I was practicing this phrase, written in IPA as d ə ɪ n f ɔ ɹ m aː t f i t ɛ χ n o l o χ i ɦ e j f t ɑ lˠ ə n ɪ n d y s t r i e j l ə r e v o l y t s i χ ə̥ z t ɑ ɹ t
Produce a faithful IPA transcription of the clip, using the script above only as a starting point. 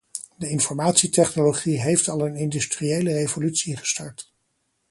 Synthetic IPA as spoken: d ə ɪ n f ɔ ɹ m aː t s i t ɛ χ n o l o χ i ɦ e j f t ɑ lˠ ə n ɪ n d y s t r i e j l ə r e v o l y t s i χ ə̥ s t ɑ ɹ t